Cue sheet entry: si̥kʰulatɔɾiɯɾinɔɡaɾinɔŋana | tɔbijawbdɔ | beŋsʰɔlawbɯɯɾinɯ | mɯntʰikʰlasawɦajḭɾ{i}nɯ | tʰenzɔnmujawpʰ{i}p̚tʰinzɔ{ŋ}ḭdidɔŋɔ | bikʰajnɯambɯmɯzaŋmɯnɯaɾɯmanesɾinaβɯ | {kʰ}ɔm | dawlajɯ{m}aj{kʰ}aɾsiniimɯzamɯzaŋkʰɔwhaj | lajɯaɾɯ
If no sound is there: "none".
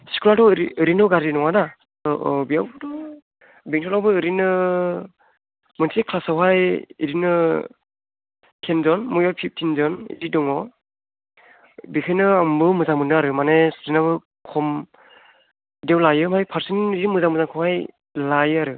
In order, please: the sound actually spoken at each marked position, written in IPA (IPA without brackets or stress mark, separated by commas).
i, i, n, kʰ, m, pʰ